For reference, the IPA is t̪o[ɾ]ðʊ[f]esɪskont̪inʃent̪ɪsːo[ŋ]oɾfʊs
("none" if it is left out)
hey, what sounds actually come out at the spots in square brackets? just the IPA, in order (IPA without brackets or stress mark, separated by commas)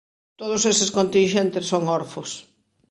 none, s, ŋ